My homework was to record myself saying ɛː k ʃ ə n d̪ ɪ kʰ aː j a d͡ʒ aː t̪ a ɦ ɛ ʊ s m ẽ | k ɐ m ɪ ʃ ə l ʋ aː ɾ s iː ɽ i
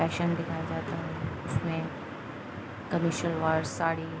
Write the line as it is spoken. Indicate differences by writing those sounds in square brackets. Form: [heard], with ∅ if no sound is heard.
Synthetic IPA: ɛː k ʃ ə n d̪ ɪ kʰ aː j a d͡ʒ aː t̪ a ɦ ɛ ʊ s m ẽ | k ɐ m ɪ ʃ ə l ʋ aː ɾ s [aː] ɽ i